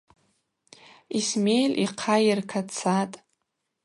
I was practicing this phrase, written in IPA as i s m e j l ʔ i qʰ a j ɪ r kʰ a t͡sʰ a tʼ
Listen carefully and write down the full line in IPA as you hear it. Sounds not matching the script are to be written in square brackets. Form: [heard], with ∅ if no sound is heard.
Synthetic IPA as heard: i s m e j l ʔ i qʰ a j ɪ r kʰ a t͡sʰ a tʼ